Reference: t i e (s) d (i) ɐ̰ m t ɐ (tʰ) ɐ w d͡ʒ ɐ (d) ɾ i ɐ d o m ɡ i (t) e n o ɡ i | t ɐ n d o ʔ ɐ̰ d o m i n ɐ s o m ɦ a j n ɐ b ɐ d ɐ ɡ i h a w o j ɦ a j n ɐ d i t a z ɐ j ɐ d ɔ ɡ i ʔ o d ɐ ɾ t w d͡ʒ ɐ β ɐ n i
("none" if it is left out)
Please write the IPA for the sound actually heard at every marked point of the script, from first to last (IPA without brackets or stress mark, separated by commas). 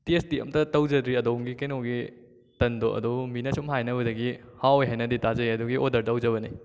s, i, t, d, k